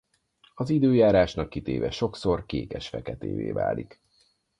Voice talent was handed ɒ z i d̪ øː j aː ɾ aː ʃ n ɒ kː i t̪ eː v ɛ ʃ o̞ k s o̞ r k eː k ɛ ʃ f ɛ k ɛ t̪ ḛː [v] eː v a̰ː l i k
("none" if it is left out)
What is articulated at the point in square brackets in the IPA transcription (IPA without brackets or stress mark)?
v